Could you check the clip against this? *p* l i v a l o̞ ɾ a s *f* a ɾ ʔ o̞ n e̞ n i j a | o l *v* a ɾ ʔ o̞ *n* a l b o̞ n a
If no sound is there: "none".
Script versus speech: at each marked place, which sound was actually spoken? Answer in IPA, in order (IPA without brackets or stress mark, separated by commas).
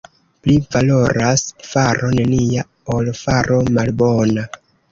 p, f, f, m